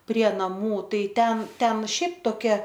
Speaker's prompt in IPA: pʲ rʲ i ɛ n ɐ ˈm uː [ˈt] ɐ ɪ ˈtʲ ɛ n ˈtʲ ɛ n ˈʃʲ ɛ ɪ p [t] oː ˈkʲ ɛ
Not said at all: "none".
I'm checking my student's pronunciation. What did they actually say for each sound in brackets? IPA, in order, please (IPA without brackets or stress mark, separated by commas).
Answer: t, t